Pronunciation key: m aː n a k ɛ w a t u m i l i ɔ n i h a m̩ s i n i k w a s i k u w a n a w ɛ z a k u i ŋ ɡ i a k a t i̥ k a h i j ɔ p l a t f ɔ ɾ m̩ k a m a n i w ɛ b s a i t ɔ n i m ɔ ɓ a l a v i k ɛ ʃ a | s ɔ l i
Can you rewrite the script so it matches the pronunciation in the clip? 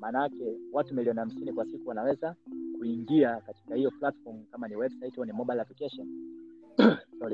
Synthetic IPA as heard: m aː n a k ɛ w a t u m i l i ɔ n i h a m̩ s i n i k w a s i k u w a n a w ɛ z a k u i ŋ ɡ i a k a t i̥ k a h i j ɔ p l a t f ɔ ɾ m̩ k a m a n i w ɛ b s a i t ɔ n i m ɔ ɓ a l a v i k ɛ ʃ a | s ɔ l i